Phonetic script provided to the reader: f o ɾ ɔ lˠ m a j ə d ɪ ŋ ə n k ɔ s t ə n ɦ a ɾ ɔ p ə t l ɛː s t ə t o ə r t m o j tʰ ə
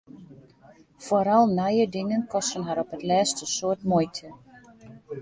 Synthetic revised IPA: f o ɾ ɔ lˠ n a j ə d ɪ ŋ ə n k ɔ s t ə n ɦ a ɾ ɔ p ə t l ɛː s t ə s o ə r t m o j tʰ ə